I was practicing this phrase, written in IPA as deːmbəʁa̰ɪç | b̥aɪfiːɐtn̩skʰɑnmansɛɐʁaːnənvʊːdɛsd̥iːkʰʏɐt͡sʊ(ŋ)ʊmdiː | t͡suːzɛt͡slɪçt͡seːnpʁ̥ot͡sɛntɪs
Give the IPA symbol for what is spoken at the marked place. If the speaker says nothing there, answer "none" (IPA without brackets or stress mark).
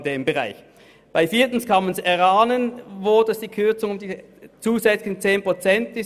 ŋ